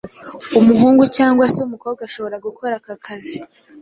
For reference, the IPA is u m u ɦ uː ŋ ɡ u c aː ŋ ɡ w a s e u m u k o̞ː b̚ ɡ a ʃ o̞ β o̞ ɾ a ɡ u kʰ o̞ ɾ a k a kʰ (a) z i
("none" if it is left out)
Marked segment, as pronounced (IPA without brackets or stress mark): a